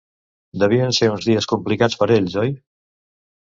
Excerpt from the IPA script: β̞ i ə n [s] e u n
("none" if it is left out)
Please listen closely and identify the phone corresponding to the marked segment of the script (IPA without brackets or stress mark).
s